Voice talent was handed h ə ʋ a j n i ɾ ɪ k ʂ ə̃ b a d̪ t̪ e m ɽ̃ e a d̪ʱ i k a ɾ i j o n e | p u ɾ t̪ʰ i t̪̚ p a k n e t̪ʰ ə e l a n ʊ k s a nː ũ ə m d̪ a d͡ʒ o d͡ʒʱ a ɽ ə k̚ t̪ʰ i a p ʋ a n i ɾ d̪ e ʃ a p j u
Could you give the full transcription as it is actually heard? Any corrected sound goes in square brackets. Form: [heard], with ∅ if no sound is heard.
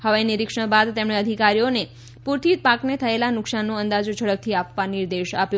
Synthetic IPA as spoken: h ə ʋ a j n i ɾ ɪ k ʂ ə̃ b a d̪ t̪ e m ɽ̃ e [ə] d̪ʱ i k a ɾ i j o n e | p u ɾ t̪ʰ i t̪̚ p a k n e t̪ʰ ə e l a n ʊ k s a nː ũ ə [n] d̪ a d͡ʒ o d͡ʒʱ [ə] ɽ ə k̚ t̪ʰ i a p ʋ a n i ɾ d̪ e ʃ a p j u